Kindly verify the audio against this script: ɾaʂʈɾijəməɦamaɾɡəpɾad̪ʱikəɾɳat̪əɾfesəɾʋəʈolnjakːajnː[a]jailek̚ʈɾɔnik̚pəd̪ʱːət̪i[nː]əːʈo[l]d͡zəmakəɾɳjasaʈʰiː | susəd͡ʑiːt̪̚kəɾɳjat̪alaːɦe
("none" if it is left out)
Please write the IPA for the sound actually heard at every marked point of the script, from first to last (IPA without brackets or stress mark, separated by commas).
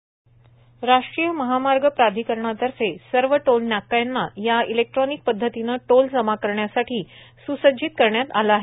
a, n, l